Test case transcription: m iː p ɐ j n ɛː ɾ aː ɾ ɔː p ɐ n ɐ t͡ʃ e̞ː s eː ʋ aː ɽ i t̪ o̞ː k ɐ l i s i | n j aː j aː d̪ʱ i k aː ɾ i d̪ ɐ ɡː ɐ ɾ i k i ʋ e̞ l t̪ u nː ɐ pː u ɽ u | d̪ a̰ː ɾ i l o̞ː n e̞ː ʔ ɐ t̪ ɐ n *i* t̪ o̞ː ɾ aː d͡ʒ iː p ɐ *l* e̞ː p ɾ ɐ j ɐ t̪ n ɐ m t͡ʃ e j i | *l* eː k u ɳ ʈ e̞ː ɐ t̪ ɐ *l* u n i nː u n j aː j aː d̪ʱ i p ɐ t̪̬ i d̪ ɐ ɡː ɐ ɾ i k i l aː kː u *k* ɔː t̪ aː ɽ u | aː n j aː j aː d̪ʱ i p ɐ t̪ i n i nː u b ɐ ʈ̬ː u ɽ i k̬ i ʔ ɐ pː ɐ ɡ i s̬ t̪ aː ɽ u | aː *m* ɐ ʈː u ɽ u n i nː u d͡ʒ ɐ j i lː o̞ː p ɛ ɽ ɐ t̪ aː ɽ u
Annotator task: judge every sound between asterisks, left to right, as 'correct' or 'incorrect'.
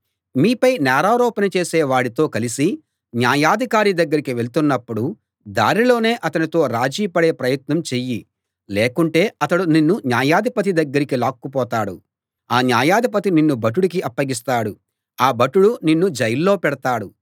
correct, incorrect, correct, incorrect, incorrect, incorrect

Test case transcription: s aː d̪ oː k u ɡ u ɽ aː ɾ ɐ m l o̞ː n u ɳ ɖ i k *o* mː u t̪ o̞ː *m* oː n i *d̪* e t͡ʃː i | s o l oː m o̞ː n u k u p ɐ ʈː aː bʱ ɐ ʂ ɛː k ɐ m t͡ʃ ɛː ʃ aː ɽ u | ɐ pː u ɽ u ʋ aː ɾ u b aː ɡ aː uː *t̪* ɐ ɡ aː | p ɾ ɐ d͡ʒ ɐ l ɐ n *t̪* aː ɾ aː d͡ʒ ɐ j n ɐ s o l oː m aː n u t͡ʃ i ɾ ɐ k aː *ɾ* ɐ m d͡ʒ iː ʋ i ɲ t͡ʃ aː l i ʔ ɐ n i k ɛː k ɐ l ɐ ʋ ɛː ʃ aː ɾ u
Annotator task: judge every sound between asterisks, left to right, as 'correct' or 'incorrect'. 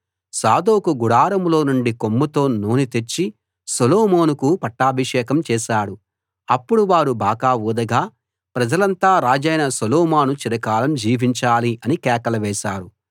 correct, incorrect, incorrect, incorrect, correct, incorrect

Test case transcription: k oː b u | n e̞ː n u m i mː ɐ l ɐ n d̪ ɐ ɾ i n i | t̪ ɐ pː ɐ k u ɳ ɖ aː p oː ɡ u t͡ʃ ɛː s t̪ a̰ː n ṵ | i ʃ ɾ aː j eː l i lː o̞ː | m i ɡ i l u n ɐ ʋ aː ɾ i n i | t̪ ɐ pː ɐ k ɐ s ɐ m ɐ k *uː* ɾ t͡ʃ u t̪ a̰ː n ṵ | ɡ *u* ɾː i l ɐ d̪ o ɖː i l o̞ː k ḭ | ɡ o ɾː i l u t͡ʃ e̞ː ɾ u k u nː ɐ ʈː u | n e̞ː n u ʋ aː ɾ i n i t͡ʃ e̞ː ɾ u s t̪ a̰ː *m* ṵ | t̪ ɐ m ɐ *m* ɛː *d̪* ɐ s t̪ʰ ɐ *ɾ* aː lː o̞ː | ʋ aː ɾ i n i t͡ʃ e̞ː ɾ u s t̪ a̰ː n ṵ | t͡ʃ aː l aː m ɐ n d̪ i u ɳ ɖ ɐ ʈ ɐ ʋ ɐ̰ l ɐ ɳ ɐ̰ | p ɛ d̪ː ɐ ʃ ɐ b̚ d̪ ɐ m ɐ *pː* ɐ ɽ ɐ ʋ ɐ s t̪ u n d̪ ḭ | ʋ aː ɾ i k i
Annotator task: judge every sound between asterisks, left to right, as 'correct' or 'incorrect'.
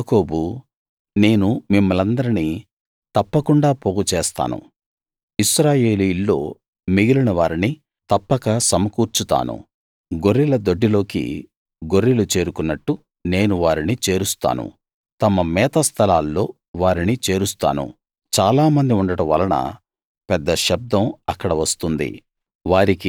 correct, incorrect, incorrect, correct, incorrect, incorrect, incorrect

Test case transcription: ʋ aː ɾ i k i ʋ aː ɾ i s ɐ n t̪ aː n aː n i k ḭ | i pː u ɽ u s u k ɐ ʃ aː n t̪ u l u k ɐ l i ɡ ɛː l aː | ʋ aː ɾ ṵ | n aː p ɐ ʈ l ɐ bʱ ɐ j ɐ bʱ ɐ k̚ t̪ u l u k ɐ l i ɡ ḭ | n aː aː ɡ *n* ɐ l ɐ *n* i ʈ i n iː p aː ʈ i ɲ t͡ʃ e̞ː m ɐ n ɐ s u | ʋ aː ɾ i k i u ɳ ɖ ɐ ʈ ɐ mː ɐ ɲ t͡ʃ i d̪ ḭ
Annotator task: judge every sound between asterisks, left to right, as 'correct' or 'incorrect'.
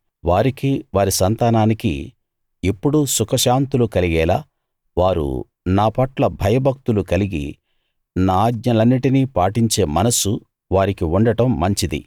incorrect, incorrect

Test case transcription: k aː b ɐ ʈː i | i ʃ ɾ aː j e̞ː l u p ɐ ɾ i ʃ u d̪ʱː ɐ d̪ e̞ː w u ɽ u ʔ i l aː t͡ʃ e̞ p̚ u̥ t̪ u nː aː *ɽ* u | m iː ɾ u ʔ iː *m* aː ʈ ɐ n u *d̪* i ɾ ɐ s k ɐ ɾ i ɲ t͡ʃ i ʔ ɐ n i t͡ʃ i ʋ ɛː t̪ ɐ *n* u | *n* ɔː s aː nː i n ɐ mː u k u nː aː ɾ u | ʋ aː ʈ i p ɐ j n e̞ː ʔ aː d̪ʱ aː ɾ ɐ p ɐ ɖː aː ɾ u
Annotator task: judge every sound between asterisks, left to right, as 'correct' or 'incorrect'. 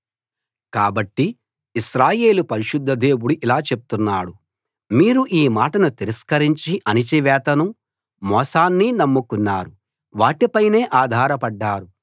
correct, correct, incorrect, correct, incorrect

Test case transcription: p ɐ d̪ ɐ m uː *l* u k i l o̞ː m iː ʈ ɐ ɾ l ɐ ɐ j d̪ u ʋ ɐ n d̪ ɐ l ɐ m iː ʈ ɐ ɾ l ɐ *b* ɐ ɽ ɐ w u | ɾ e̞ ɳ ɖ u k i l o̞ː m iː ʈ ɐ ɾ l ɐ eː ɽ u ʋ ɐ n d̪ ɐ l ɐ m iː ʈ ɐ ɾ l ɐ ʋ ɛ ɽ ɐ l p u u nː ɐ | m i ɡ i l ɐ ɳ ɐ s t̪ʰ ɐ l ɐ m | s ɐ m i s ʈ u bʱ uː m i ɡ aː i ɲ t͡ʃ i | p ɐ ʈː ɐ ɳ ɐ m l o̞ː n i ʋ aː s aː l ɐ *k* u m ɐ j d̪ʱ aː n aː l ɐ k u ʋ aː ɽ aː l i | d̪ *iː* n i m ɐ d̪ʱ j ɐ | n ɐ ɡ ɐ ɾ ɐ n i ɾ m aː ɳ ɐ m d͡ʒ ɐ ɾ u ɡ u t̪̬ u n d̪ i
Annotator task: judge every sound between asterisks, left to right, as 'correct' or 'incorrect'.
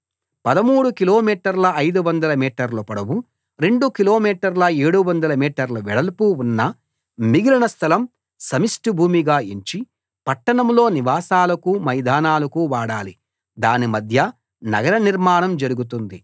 incorrect, incorrect, correct, incorrect

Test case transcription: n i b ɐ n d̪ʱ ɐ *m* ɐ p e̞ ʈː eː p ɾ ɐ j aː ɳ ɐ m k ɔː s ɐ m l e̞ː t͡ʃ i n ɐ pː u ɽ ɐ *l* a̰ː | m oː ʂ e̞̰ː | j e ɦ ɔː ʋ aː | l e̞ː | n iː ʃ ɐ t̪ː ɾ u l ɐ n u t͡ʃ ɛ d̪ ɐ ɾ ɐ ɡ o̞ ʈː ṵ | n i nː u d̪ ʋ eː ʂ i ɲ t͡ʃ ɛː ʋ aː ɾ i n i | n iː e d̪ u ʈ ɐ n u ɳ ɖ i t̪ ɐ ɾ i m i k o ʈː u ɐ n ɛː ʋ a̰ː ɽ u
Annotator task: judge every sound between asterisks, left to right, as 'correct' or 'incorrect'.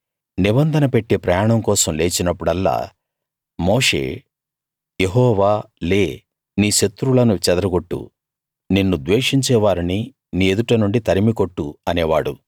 incorrect, incorrect

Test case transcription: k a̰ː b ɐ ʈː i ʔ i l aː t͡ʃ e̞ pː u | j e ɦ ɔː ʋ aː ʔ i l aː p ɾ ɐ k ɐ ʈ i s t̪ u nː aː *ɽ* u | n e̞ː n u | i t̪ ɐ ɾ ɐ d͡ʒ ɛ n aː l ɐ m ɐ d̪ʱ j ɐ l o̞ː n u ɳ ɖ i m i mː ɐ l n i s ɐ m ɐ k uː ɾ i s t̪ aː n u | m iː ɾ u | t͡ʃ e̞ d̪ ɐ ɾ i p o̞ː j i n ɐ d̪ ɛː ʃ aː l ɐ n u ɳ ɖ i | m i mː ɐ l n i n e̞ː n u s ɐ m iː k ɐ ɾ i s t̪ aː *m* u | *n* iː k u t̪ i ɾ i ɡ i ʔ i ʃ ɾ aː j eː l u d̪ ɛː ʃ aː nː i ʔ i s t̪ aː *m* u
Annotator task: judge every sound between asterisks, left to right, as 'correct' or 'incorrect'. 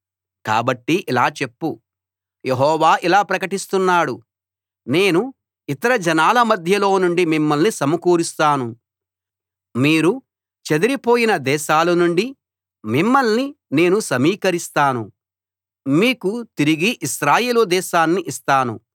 correct, incorrect, incorrect, incorrect

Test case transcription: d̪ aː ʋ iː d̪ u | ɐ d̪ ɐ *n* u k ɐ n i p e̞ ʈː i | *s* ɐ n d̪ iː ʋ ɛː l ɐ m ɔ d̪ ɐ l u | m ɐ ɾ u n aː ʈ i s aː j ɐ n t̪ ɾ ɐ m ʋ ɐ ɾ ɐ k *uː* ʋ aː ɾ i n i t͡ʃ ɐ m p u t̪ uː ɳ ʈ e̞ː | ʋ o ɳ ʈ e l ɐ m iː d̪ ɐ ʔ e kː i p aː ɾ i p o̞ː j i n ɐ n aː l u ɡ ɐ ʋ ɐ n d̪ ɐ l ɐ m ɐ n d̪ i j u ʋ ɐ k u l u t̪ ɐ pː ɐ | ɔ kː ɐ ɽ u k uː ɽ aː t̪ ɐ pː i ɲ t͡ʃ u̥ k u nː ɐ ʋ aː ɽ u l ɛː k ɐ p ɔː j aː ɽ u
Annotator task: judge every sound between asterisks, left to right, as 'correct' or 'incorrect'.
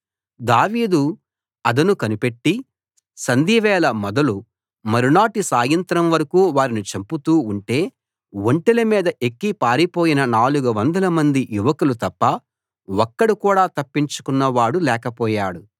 correct, correct, correct

